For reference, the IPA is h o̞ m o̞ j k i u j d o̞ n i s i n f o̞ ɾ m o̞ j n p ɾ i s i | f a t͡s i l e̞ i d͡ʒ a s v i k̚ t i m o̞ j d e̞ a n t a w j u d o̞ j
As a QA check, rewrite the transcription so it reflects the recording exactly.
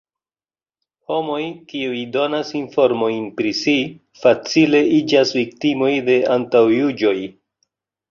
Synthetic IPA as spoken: h o̞ m o̞ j k i u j d o̞ n a s i n f o̞ ɾ m o̞ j n p ɾ i s i | f a t͡s i l e̞ i d͡ʒ a s v i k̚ t i m o̞ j d e̞ a n t a w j u d͡ʒ o̞ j